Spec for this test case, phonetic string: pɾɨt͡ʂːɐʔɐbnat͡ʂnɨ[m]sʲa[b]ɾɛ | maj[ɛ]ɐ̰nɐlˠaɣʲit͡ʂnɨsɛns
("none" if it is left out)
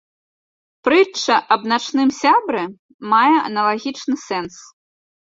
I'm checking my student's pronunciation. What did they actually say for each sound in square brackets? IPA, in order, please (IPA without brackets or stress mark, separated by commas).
m, b, ɛ